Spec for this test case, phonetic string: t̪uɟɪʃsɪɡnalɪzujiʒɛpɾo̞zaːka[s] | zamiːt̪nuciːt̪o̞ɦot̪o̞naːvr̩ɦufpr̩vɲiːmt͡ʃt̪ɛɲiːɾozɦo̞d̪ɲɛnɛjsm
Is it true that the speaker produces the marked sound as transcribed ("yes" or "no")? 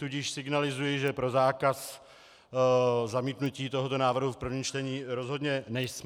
yes